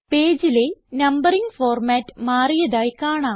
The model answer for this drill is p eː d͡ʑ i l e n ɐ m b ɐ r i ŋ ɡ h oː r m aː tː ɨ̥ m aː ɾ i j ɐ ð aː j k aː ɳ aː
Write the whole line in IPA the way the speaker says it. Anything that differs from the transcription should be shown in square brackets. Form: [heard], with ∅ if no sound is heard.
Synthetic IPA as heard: p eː d͡ʑ i l e n ɐ m b ɐ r i ŋ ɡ [f] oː r m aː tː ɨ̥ m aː [r] i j ɐ ð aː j k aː ɳ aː

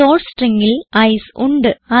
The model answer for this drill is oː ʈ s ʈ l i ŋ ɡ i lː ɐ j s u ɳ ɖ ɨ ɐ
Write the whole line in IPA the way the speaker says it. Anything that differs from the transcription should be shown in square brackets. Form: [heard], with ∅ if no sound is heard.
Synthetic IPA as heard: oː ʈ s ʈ [r] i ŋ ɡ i [l] ɐ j s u ɳ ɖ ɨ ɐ

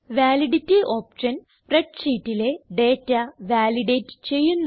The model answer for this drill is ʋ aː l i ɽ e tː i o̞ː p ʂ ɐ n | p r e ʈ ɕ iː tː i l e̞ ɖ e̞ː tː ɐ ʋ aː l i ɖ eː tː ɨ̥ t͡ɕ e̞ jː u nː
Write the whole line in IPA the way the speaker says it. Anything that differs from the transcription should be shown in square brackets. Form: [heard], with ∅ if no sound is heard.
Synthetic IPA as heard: ʋ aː l i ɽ [i] tː i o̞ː p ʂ ɐ n | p r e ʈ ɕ iː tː i l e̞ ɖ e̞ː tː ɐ ʋ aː l i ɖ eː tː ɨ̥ t͡ɕ e̞ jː u nː

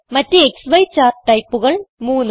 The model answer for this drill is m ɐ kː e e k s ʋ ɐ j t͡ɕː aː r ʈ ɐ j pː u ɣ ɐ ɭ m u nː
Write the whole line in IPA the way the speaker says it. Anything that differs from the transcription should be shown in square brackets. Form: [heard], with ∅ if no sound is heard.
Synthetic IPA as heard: m ɐ [tː] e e k s ʋ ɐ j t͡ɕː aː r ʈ ɐ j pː u ɣ ɐ ɭ m [uː] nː

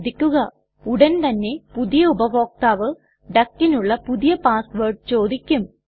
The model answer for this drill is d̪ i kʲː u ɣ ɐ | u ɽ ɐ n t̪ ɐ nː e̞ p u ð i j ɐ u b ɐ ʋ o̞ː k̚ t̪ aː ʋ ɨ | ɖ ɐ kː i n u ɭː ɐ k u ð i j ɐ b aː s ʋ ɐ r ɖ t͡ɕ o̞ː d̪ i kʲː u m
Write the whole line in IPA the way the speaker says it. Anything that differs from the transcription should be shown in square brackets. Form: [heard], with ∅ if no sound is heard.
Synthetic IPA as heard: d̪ i kʲː u ɣ ɐ | u ɽ ɐ n t̪ ɐ nː e̞ p u ð i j ɐ u b ɐ ʋ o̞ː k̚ t̪ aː ʋ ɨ | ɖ ɐ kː i n u ɭː ɐ [p] u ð i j ɐ [p] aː s ʋ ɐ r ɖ t͡ɕ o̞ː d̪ i kʲː u m

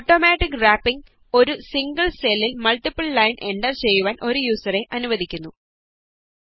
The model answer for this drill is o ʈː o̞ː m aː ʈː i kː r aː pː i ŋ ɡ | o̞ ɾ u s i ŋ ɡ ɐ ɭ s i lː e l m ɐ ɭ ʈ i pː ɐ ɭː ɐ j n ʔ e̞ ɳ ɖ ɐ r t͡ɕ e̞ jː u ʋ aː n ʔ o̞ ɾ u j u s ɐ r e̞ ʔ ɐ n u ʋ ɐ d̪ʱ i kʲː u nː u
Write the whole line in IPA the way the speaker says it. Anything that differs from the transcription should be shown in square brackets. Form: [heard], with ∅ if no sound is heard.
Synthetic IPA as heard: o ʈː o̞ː m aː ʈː i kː r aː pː i ŋ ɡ | o̞ ɾ u s i ŋ ɡ ɐ ɭ s [e] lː [i] l m ɐ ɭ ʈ i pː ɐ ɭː ɐ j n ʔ e̞ ɳ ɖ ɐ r t͡ɕ e̞ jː u ʋ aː n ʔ o̞ ɾ u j [uː] s ɐ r e̞ ʔ ɐ n u ʋ ɐ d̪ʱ i kʲː u nː u

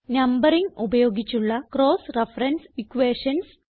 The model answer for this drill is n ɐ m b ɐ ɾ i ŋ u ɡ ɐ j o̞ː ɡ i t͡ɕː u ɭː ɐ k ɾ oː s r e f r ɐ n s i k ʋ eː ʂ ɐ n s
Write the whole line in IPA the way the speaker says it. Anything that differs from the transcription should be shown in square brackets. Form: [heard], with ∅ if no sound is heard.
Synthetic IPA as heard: n ɐ m b ɐ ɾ i ŋ u [b] ɐ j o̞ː ɡ i t͡ɕː u ɭː ɐ k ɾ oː s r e f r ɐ n s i k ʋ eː ʂ ɐ n s

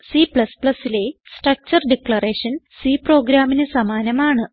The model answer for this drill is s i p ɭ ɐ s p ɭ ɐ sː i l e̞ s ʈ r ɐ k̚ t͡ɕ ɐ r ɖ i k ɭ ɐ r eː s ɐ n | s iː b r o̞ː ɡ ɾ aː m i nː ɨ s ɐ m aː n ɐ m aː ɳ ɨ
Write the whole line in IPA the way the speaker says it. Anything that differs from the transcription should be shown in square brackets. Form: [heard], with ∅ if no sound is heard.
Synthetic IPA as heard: s i p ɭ ɐ s p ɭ ɐ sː i l e̞ s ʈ r ɐ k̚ t͡ɕ ɐ r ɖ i k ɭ ɐ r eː [ʂ] ɐ n | s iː [p] r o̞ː ɡ ɾ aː m i [n] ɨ s ɐ m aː n ɐ m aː ɳ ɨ

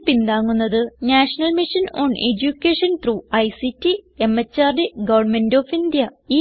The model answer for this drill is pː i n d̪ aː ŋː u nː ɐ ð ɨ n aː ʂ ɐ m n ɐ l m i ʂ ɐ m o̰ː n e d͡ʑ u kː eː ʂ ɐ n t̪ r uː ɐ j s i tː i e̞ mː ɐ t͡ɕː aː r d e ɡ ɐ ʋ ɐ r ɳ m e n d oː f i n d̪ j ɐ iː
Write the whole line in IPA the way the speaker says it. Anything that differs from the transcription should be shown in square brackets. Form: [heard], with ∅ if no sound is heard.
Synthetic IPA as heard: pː i n d̪ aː ŋː u nː ɐ ð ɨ n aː ʂ ɐ [∅] n ɐ l m i ʂ ɐ [n] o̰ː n e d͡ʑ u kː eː ʂ ɐ n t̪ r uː ɐ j s i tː i e̞ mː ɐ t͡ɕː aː r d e ɡ ɐ ʋ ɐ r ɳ m e n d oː f i n d̪ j ɐ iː

